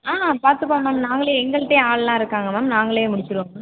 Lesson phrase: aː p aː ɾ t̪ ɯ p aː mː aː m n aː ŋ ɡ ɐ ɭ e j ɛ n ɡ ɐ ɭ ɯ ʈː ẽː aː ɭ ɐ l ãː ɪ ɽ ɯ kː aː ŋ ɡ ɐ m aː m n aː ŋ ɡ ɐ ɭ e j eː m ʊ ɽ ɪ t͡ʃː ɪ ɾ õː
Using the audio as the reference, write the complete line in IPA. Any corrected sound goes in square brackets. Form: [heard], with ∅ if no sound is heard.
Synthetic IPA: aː p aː ɾ t̪ ɯ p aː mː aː m n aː ŋ ɡ ɐ ɭ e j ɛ [ŋ] ɡ ɐ ɭ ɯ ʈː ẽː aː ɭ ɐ l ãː ɪ [ɾ] ɯ kː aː ŋ ɡ ɐ m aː m n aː ŋ ɡ ɐ ɭ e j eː m ʊ ɽ ɪ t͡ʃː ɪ ɾ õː

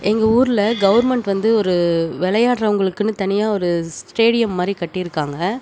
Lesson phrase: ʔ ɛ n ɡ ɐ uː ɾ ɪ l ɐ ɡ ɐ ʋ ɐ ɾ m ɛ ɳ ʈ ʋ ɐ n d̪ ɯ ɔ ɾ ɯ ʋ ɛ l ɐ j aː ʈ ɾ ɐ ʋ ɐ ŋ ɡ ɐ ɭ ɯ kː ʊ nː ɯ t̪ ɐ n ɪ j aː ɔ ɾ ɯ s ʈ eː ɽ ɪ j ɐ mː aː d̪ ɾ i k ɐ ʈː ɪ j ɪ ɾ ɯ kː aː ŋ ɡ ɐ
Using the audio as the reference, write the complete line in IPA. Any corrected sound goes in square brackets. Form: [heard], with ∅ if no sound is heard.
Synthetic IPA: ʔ ɛ [ŋ] ɡ ɐ uː ɾ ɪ l ɐ ɡ ɐ ʋ ɐ ɾ m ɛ ɳ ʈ ʋ ɐ n d̪ ɯ ɔ ɾ ɯ ʋ ɛ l ɐ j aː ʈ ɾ ɐ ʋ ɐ ŋ ɡ ɐ ɭ ɯ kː [ɯ] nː ɯ t̪ ɐ n ɪ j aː ɔ ɾ ɯ s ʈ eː ɽ ɪ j ɐ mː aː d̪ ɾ i k ɐ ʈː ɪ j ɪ ɾ ɯ kː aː ŋ ɡ ɐ

